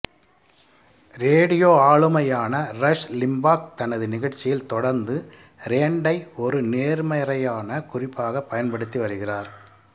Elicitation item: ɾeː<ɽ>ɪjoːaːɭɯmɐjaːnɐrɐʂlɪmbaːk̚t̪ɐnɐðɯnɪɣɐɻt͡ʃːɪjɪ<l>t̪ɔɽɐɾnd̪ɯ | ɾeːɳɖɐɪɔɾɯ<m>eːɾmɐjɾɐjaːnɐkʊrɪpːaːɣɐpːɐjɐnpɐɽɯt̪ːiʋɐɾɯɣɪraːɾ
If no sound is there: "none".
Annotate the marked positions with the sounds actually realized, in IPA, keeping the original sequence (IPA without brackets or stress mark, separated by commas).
ɽ, l, n